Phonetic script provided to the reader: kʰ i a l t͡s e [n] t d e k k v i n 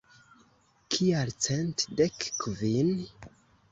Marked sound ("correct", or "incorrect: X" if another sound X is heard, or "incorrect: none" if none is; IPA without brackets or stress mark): correct